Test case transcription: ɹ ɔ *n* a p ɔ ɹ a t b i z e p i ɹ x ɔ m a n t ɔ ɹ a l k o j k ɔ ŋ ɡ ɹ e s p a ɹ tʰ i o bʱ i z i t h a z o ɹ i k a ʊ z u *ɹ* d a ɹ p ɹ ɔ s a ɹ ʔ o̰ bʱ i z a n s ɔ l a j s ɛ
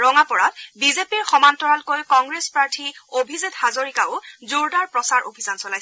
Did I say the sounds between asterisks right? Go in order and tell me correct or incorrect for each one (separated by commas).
incorrect, correct